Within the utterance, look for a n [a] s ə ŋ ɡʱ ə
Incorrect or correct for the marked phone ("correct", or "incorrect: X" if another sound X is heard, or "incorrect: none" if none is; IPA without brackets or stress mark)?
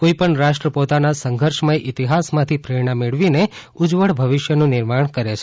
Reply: correct